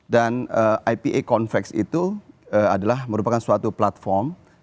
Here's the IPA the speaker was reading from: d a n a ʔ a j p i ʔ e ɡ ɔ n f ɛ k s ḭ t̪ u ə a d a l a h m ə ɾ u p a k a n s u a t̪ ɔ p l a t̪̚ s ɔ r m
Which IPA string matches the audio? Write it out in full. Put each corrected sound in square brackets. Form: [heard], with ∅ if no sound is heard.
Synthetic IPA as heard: d a n [ə] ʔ a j p i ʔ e [k] ɔ n f ɛ k s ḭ t̪ u ə a d a l a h m ə ɾ u p a k a n s u a t̪ [u] p l a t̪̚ [f] ɔ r m